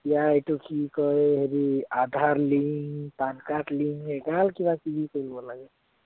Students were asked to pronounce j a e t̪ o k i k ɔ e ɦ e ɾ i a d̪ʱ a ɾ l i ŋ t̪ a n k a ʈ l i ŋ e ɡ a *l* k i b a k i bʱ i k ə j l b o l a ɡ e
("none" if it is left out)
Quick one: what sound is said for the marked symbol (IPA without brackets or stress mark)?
l